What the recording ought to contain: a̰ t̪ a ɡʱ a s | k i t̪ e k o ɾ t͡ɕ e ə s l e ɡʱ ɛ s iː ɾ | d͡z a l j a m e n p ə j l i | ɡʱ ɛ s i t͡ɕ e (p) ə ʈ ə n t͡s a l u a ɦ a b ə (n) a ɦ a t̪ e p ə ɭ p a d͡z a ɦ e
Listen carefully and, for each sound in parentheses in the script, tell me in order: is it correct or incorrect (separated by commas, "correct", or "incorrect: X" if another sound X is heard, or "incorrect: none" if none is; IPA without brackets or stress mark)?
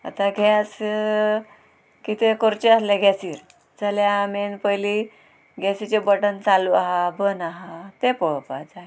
incorrect: b, correct